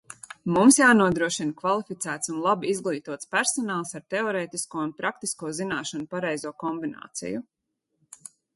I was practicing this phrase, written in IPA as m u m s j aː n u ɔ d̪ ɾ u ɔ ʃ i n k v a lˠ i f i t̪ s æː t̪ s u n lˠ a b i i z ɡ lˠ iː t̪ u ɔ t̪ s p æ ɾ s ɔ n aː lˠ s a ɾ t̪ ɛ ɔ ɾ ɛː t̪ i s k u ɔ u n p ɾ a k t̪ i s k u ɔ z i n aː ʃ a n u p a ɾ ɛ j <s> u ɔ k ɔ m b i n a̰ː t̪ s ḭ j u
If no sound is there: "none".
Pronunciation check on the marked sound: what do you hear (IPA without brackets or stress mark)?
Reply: z